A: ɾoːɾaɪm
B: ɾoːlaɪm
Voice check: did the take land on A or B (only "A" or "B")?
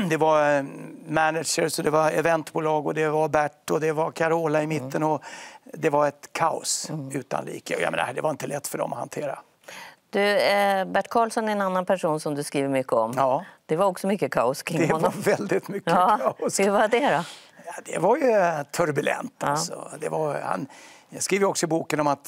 B